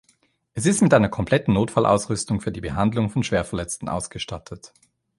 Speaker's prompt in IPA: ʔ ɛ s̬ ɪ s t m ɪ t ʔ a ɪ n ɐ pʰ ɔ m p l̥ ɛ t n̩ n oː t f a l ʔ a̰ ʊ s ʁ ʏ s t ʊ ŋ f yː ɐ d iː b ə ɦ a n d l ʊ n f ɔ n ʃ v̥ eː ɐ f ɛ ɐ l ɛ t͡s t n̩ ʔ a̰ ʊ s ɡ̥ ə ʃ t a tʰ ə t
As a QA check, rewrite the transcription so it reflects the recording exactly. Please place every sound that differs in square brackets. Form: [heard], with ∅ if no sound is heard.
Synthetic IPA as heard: ʔ ɛ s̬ ɪ s t m ɪ t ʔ a ɪ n ɐ [kʰ] ɔ m p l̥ ɛ t n̩ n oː t f a l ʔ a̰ ʊ s ʁ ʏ s t ʊ ŋ f yː ɐ d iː b ə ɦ a n d l ʊ [ŋ] f ɔ n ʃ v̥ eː ɐ f ɛ ɐ l ɛ t͡s t n̩ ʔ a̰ ʊ s ɡ̥ ə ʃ t a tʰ ə t